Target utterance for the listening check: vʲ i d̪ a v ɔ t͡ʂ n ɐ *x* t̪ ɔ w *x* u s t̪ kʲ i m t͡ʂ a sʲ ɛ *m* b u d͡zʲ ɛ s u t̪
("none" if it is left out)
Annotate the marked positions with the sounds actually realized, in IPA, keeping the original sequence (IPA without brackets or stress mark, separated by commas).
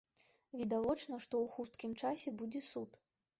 ʂ, x, none